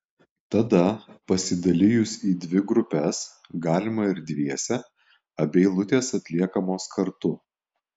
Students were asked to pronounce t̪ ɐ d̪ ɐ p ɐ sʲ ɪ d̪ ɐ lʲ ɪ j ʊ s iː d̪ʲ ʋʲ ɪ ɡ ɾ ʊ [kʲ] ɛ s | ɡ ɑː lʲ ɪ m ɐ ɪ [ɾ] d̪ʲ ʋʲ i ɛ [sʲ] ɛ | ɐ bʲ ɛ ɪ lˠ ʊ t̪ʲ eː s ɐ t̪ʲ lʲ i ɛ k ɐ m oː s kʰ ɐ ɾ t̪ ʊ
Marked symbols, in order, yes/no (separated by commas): no, yes, yes